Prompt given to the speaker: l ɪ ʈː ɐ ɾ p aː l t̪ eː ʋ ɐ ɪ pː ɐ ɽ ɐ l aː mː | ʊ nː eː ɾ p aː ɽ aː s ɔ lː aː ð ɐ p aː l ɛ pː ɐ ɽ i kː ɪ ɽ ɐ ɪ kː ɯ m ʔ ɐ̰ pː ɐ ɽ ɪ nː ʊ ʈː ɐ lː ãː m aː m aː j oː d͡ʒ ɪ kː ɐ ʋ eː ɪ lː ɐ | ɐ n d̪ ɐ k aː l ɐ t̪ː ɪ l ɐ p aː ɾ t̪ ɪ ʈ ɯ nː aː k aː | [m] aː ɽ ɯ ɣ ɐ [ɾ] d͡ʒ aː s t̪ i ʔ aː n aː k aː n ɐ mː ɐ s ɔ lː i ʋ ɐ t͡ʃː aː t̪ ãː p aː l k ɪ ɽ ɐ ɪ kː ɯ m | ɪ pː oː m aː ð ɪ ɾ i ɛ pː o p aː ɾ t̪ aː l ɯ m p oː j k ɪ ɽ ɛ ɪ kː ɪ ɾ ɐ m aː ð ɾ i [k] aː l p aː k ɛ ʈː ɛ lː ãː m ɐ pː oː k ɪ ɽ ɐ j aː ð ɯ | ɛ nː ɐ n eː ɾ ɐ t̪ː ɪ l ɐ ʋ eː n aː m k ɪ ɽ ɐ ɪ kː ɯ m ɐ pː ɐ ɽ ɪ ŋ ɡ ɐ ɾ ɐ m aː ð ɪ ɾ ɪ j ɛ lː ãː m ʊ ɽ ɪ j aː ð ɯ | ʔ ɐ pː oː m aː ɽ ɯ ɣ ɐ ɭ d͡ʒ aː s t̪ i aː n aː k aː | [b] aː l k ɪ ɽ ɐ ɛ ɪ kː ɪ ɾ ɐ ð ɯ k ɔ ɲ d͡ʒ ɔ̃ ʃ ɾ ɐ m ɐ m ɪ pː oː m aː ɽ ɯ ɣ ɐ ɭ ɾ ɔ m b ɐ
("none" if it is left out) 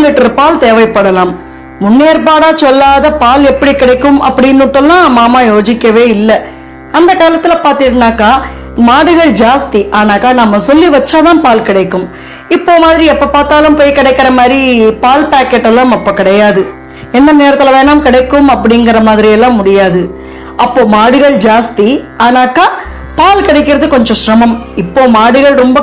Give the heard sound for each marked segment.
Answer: m, ɭ, p, p

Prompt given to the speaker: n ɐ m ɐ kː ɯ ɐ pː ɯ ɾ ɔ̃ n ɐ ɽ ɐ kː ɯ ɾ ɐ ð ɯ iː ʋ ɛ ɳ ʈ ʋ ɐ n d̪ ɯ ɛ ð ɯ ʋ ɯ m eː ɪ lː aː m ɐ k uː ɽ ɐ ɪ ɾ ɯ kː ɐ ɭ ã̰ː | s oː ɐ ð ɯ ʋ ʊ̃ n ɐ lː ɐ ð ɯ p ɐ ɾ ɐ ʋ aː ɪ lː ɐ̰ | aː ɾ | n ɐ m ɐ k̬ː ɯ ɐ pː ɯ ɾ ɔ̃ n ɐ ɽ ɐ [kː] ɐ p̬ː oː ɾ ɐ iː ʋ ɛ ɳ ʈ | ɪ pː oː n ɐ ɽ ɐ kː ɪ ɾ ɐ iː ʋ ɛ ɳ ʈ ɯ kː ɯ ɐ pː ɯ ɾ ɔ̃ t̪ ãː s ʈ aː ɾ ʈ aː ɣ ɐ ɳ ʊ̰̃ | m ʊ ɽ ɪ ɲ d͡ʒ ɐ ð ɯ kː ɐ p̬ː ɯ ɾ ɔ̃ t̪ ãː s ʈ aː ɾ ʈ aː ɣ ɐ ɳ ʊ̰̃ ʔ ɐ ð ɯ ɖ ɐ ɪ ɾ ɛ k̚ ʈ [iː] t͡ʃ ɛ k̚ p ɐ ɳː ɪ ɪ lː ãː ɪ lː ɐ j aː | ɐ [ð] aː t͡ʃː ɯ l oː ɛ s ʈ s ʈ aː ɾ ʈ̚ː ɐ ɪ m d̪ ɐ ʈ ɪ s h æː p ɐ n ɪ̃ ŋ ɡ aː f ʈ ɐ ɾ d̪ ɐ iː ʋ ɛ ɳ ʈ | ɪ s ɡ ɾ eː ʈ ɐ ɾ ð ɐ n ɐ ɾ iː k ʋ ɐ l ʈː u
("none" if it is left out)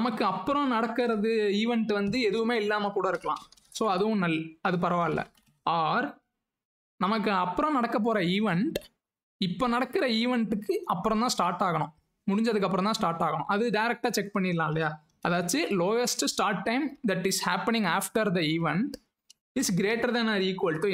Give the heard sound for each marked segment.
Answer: kː, aː, ð

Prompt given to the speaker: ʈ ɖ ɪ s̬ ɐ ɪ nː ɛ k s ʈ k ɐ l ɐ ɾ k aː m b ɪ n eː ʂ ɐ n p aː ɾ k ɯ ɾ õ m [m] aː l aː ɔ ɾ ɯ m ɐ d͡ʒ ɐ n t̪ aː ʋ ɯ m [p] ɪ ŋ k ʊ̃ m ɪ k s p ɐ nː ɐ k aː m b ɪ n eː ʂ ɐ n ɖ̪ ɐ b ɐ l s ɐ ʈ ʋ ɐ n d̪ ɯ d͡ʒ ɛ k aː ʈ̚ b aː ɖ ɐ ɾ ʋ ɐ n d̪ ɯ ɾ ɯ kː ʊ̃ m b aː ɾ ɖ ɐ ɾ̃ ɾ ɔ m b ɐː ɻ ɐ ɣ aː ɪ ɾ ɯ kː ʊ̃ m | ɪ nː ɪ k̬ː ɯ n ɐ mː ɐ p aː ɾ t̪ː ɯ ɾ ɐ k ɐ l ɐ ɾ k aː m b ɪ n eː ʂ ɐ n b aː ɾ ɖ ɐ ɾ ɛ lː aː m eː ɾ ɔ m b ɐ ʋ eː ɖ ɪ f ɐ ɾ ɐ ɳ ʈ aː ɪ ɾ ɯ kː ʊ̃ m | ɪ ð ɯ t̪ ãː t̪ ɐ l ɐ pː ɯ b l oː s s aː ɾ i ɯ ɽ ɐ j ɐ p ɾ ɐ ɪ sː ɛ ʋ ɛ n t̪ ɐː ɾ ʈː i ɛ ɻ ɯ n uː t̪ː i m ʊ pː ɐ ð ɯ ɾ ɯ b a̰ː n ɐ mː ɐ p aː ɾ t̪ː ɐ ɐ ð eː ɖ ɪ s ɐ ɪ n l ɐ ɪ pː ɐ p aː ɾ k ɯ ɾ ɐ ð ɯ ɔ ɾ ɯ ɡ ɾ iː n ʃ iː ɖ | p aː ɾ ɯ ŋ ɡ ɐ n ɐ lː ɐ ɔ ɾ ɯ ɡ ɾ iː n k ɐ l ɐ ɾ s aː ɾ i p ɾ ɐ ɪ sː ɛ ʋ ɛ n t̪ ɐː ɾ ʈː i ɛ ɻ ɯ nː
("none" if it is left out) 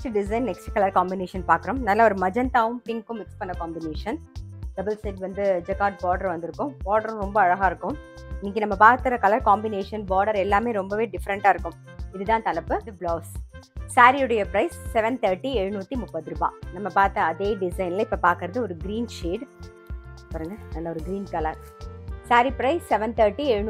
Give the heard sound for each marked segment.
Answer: n, p

